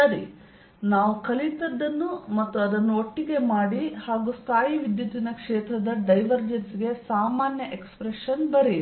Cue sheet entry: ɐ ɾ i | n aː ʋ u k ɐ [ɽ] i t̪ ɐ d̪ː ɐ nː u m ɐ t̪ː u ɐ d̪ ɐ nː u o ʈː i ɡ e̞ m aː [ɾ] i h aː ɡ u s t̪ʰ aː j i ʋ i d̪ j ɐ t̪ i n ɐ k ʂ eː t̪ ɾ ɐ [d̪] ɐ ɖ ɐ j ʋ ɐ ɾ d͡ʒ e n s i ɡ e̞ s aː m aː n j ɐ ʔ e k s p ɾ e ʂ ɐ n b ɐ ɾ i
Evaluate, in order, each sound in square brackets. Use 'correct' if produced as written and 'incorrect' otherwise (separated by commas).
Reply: incorrect, incorrect, correct